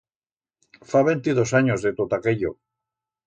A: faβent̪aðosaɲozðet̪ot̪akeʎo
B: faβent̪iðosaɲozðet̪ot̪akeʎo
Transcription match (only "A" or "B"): B